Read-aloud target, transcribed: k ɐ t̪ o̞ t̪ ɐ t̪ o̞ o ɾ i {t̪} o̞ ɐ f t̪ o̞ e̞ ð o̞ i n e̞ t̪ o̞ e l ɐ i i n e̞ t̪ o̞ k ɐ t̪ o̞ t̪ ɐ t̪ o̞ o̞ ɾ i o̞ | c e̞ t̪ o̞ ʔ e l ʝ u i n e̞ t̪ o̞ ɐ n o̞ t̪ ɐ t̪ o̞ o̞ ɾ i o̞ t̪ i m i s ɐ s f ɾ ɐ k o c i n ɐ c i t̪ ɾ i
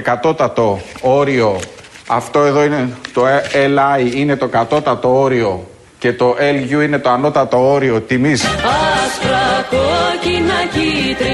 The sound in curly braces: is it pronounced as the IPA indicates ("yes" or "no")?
no